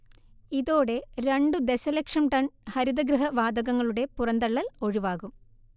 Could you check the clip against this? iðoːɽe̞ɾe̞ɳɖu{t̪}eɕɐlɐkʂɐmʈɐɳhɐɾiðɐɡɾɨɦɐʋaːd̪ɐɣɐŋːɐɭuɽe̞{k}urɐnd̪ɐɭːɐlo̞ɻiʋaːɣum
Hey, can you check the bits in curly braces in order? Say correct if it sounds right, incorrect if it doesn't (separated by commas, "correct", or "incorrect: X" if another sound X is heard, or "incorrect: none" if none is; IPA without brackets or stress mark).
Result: incorrect: d̪, incorrect: p